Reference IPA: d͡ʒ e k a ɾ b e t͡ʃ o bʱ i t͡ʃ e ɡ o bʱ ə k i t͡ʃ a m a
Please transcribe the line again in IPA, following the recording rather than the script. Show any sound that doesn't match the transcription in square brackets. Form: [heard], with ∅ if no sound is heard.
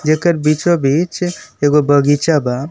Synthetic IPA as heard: d͡ʒ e k [ə] ɾ b [i] t͡ʃ o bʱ i t͡ʃ e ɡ o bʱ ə [ɡ] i t͡ʃ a [b] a